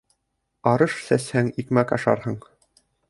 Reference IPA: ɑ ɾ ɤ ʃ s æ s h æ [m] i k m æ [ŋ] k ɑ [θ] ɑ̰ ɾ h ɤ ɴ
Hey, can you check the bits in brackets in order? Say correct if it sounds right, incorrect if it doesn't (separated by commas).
incorrect, incorrect, incorrect